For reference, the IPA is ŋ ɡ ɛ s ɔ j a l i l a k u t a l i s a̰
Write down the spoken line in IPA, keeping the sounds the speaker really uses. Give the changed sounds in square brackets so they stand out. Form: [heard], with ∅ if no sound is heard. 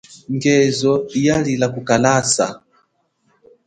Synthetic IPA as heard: ŋ ɡ ɛ [z] ɔ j a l i l a k u [k] a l [a] s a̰